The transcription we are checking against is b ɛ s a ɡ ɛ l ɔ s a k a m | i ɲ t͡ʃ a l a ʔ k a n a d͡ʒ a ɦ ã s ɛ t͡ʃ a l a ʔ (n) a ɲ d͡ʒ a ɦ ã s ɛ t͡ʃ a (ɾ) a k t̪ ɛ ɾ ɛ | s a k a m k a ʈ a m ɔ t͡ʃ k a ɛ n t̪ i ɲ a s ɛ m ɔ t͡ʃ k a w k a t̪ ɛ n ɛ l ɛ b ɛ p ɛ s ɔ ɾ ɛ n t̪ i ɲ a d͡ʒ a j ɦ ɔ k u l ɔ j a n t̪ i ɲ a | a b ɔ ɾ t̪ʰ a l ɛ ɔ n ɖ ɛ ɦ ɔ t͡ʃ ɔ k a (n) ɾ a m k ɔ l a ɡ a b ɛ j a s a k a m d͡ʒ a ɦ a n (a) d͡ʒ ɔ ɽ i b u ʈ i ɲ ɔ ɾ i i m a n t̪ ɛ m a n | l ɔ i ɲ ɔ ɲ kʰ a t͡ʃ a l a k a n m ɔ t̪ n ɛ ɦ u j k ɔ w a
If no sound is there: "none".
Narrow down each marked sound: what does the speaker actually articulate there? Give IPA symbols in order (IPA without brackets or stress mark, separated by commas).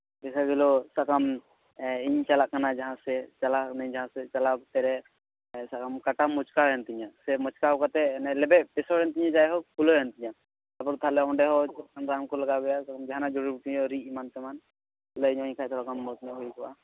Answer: n, l, n, a